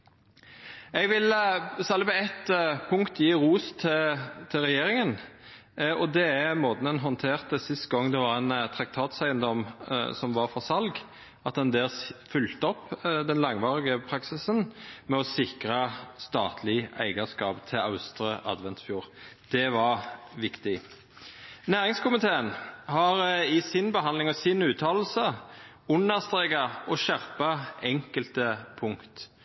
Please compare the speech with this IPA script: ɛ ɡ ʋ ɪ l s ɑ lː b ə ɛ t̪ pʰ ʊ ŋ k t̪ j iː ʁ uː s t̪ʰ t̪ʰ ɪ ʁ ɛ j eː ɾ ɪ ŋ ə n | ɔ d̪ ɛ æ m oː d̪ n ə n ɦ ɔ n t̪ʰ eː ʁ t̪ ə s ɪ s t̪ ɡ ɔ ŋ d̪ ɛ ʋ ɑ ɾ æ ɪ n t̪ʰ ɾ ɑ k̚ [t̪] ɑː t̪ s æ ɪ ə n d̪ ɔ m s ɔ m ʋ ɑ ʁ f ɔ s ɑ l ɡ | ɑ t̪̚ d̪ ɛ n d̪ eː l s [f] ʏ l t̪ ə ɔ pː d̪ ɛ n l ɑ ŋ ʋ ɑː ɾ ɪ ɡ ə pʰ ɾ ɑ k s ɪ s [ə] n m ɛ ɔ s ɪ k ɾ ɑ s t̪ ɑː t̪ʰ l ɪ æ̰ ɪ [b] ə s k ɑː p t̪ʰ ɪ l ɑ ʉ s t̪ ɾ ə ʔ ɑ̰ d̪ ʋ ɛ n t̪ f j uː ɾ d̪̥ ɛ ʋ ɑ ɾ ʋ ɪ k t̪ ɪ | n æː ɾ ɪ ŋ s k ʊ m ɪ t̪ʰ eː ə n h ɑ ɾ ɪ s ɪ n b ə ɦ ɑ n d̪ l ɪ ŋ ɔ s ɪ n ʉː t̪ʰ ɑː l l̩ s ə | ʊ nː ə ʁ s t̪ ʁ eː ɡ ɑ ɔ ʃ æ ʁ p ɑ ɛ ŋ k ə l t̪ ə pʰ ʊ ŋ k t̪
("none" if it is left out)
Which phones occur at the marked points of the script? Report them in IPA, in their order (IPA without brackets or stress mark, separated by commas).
t̪ʰ, f, ə, ɡ